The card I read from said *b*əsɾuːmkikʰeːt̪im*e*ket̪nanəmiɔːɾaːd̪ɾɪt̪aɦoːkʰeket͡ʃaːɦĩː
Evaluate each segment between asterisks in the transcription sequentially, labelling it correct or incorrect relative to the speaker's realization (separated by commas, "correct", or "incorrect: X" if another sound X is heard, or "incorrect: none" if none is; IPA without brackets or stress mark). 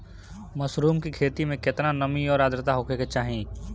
incorrect: m, incorrect: ẽ